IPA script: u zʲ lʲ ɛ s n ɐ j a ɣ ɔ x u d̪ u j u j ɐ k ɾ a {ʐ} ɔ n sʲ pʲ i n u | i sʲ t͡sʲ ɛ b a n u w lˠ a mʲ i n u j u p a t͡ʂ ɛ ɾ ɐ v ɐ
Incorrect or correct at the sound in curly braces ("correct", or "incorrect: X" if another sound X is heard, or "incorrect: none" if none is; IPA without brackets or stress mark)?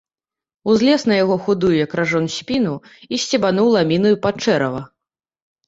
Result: correct